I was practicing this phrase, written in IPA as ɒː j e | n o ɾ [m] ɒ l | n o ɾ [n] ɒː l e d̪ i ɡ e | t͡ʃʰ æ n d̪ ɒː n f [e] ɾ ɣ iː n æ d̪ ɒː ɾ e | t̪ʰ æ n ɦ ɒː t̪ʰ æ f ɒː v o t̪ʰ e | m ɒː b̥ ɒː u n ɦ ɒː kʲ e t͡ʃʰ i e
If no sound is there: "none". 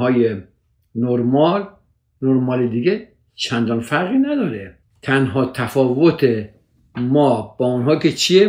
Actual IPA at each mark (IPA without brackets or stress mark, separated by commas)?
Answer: m, m, æ